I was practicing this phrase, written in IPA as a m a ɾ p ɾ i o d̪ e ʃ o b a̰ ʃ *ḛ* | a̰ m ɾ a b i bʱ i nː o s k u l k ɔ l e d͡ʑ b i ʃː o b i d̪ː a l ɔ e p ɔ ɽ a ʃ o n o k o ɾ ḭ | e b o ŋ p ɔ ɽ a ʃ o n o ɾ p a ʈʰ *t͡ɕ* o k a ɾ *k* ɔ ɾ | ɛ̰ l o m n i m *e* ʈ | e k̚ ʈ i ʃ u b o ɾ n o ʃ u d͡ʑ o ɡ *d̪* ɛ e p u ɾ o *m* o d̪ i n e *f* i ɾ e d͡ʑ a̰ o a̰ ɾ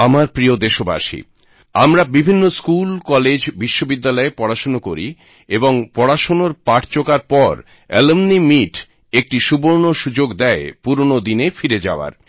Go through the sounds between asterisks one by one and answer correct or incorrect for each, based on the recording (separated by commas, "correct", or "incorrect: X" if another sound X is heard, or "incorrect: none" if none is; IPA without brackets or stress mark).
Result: incorrect: ḭ, correct, incorrect: p, incorrect: i, correct, incorrect: n, correct